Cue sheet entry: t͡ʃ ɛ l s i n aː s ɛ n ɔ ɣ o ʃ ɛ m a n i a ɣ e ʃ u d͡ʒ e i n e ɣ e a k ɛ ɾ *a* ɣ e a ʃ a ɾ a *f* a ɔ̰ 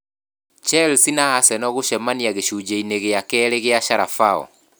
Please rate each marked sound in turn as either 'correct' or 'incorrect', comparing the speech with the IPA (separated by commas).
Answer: incorrect, correct